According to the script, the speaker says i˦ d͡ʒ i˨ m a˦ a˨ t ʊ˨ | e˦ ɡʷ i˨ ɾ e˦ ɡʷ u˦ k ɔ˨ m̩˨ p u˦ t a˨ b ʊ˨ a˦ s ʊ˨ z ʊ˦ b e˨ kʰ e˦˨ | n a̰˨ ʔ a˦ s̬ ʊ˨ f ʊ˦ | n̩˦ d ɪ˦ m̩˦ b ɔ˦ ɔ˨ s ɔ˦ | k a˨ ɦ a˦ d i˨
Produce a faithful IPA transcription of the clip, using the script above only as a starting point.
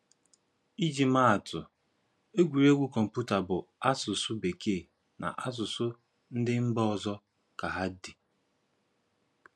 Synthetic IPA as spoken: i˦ d͡ʒ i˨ m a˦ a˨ t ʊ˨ | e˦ ɡʷ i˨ ɾ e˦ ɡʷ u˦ k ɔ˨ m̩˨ p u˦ t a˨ b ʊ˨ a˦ s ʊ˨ s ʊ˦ b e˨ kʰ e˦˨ | n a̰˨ ʔ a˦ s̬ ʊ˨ s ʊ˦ | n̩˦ d ɪ˦ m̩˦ b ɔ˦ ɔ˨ z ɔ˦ | k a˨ ɦ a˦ d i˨